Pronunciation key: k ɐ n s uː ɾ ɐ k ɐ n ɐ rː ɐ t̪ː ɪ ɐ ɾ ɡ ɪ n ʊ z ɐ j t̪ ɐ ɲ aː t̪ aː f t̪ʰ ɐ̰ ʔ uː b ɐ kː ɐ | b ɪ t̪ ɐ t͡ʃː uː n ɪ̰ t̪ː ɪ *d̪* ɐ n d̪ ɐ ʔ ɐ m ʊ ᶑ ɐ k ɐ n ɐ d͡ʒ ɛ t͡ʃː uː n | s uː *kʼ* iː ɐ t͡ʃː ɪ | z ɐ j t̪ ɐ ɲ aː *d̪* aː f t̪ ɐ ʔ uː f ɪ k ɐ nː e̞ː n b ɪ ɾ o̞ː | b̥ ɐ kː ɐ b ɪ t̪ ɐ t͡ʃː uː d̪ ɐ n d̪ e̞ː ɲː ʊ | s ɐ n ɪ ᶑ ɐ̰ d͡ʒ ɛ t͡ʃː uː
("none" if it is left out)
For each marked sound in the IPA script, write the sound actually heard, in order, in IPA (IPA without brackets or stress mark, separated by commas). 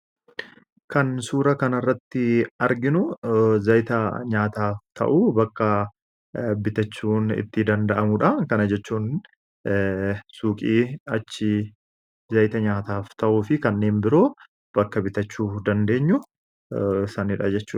d̪, kʼ, t̪